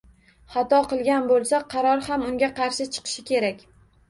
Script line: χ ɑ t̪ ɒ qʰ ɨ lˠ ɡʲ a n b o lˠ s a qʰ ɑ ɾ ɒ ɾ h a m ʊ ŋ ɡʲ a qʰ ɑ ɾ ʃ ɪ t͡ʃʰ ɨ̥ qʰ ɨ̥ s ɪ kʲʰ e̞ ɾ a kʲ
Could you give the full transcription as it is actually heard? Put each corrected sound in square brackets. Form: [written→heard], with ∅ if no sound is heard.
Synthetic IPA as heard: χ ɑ t̪ ɒ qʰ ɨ lˠ ɡʲ a n b o lˠ s a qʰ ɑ ɾ ɒ ɾ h a m ʊ ŋ ɡʲ a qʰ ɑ ɾ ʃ ɪ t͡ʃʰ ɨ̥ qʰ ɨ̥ [s→ʃ] ɪ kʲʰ e̞ ɾ a kʲ

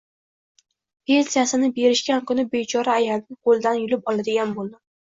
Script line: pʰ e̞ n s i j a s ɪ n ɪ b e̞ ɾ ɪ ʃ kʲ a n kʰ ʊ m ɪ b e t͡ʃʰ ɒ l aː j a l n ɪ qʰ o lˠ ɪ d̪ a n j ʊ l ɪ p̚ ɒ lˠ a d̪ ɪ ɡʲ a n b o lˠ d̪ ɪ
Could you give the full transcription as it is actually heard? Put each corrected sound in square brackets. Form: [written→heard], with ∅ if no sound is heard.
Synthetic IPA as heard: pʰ e̞ n s i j a s ɪ n ɪ b e̞ ɾ ɪ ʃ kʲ a n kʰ ʊ [m→n] ɪ b e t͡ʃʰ ɒ [l→ɾ] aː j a l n ɪ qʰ o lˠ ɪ d̪ a n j ʊ l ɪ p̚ ɒ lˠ a d̪ ɪ ɡʲ a n b o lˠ d̪ ɪ

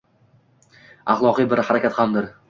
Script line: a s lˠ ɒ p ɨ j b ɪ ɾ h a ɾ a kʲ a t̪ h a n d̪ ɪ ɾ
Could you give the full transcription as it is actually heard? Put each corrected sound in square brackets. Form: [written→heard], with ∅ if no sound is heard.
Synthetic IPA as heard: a [s→χ] lˠ ɒ [p→q] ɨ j b ɪ ɾ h a ɾ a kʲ a t̪ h a [n→m] d̪ ɪ ɾ

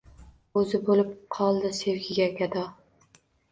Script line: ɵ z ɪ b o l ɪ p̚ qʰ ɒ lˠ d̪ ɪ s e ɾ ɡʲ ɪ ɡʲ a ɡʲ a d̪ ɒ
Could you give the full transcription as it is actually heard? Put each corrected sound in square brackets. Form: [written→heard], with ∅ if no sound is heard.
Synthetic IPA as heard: ɵ z ɪ b o l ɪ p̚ qʰ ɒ lˠ d̪ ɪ s e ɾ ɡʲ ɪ ɡʲ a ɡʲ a d̪ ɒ

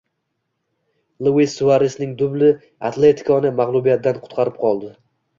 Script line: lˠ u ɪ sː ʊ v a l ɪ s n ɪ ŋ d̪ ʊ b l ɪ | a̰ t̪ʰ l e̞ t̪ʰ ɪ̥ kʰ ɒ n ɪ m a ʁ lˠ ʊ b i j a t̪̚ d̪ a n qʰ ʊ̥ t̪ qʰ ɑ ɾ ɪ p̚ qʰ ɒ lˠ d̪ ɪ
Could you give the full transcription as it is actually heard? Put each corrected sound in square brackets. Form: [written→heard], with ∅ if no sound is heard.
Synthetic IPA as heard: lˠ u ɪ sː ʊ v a [l→ɾ] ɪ s n ɪ ŋ d̪ ʊ b l ɪ | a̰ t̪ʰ l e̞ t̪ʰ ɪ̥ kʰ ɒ n ɪ m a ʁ lˠ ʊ b i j a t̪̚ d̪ a n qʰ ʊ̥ t̪ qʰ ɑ ɾ ɪ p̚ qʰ ɒ lˠ d̪ ɪ

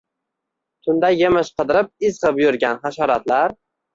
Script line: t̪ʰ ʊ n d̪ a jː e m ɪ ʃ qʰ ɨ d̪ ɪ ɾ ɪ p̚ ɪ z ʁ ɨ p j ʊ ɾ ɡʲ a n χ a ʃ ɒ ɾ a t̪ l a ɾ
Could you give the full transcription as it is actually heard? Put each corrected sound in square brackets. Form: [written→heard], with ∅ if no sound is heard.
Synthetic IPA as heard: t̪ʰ ʊ n d̪ a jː e m ɪ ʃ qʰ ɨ d̪ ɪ ɾ ɪ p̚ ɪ z ʁ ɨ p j ʊ ɾ ɡʲ a n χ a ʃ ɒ ɾ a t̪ l a ɾ

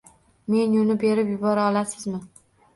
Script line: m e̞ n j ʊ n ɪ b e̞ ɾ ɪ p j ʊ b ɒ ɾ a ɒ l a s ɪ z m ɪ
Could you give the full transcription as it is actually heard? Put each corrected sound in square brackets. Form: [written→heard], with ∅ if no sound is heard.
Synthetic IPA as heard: m e̞ n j ʊ n ɪ b e̞ ɾ ɪ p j ʊ b ɒ ɾ a ɒ l a s ɪ z m ɪ

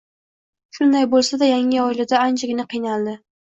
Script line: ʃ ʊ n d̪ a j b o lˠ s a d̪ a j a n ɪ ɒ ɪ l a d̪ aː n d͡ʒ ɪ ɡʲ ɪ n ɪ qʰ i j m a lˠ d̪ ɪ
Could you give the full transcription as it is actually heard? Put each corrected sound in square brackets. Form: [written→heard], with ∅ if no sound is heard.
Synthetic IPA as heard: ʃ ʊ n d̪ a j b o lˠ s a d̪ a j a [n→ŋ] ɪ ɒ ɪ l a d̪ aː n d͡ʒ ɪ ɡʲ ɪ n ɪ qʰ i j [m→n] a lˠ d̪ ɪ

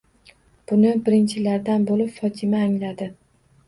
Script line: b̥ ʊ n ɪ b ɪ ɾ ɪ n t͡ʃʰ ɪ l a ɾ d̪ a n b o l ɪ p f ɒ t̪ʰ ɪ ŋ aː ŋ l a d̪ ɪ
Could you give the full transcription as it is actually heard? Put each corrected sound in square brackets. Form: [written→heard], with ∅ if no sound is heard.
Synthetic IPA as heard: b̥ ʊ n ɪ b ɪ ɾ ɪ n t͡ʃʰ ɪ l a ɾ d̪ a n b o l ɪ p f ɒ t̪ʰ ɪ [ŋ→m] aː ŋ l a d̪ ɪ

